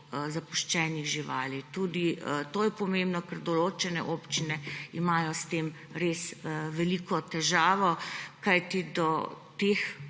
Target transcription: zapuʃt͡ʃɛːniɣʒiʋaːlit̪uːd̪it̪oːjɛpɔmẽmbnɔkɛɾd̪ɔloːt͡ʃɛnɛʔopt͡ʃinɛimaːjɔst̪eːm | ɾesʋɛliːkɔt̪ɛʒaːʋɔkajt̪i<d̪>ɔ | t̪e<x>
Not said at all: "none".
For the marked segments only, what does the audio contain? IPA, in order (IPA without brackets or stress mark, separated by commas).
d̪, x